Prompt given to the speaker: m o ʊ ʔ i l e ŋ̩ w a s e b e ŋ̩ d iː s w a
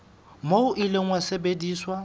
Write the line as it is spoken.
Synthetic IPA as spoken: m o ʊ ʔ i l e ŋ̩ w a s e b e d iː s w a